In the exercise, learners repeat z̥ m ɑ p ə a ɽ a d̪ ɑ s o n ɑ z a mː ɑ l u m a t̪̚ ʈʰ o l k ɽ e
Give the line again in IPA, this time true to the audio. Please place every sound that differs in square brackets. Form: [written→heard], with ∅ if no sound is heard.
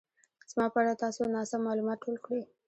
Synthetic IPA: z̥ m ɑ p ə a ɽ a [d̪→t̪] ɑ s o n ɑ [z→s] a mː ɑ l u m [a→ɑ] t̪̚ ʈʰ o l k ɽ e